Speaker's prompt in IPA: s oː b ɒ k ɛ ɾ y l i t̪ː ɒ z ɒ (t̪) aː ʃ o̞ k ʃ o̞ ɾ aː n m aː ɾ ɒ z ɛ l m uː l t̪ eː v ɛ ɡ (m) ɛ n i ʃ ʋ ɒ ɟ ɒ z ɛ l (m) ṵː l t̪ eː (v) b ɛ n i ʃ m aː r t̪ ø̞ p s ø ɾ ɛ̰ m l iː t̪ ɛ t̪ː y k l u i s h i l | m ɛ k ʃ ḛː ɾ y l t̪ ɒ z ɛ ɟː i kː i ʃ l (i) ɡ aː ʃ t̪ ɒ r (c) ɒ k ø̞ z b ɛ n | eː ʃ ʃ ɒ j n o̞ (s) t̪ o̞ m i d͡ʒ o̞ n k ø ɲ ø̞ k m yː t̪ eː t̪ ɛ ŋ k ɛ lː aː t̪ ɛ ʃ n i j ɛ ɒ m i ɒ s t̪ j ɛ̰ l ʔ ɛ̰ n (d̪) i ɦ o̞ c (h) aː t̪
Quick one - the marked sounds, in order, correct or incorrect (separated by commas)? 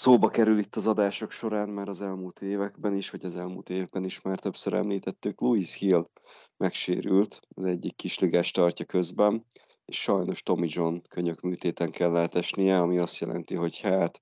incorrect, incorrect, correct, correct, correct, correct, incorrect, incorrect, correct